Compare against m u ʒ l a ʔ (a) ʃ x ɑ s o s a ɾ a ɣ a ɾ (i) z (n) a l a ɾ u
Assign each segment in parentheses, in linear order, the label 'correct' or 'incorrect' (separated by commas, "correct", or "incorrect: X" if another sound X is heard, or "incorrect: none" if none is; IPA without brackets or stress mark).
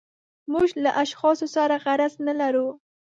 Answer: correct, incorrect: a, correct